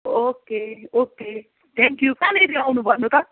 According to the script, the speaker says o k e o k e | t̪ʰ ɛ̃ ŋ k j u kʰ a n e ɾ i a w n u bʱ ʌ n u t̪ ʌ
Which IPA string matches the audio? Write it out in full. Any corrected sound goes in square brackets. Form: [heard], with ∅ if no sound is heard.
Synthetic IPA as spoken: o k e o k e | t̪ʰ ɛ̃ ŋ k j u [k] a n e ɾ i a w n u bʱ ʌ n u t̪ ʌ